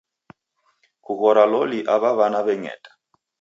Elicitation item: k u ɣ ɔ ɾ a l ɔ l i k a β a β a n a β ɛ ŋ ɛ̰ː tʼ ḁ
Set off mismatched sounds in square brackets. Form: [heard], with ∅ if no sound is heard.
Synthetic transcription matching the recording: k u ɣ ɔ ɾ a l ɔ l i [ʔ] a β a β a n a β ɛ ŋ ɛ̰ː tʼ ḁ

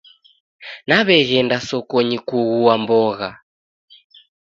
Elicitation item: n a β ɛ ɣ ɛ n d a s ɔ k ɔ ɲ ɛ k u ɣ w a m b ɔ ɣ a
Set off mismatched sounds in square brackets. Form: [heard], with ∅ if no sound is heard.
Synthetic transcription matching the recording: n a β ɛ ɣ ɛ n d a s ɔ k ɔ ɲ [i] k u ɣ [u] a m b ɔ ɣ a

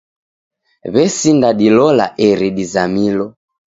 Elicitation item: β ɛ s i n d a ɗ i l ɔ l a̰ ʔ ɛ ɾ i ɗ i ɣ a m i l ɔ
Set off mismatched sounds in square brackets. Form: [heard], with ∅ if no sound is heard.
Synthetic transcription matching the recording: β ɛ s i n d a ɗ i l ɔ l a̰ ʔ ɛ ɾ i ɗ i [z] a m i l ɔ

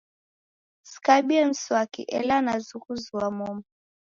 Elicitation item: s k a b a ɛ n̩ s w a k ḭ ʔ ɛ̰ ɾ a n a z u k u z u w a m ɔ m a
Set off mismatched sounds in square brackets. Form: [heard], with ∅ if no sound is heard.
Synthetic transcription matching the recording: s k a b [i] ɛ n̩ s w a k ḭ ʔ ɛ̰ [l] a n a z u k u z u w a m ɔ m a

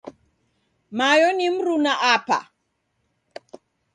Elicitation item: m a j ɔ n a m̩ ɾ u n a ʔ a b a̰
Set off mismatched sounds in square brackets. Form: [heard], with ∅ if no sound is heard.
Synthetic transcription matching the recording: m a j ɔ n [i] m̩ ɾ u n a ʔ a [p] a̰

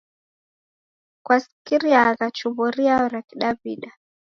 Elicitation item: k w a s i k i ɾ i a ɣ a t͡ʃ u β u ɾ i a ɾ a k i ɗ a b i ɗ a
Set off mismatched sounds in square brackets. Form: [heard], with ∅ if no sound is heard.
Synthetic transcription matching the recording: k w a s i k i ɾ i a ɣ a t͡ʃ u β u ɾ i a ɾ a k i ɗ a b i ɗ a

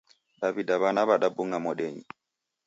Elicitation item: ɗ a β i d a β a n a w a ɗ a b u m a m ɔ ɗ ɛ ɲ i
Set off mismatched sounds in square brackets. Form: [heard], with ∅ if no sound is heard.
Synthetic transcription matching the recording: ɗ a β i d a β a n a [β] a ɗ a b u [ŋ] a m ɔ ɗ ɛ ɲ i

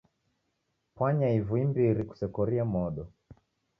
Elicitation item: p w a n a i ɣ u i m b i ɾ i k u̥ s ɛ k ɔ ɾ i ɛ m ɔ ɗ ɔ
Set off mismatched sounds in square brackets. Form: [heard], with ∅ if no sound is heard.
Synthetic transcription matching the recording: p w a [ɲ] a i [v] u i m b i ɾ i k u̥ s ɛ k ɔ ɾ i [a] m ɔ ɗ ɔ

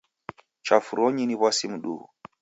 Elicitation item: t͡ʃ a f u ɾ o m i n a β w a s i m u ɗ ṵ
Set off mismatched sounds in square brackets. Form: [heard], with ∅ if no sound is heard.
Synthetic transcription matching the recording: t͡ʃ a f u ɾ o [ɲ] i n [i] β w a s i m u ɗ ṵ

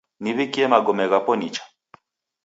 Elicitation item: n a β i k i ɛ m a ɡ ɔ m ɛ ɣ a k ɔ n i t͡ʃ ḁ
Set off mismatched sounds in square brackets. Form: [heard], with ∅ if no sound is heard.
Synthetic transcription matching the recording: n [i] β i k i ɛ m a ɡ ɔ m ɛ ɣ a [p] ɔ n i t͡ʃ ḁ

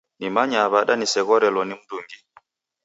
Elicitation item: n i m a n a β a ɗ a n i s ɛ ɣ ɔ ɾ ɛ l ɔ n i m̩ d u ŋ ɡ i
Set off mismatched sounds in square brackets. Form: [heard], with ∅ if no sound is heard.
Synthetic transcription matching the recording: n i m a [ɲ] a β a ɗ a n i s ɛ ɣ ɔ ɾ ɛ l ɔ n i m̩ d u ŋ ɡ i

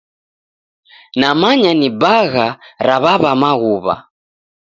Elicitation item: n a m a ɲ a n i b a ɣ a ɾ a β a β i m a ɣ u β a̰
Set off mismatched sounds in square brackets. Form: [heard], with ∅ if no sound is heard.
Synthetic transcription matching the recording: n a m a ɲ a n i b a ɣ a ɾ a β a β [a] m a ɣ u β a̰

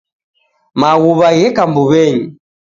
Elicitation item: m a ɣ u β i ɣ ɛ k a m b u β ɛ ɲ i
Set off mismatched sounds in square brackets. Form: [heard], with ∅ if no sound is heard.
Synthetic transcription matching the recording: m a ɣ u β [a] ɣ ɛ k a m b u β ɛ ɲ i

